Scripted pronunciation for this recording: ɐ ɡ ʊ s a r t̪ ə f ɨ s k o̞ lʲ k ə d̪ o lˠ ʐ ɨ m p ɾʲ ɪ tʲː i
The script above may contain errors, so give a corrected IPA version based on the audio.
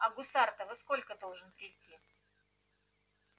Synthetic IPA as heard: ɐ ɡ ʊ s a r t̪ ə v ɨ s k o̞ lʲ k ə d̪ o lˠ ʐ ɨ n p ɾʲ ɪ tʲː i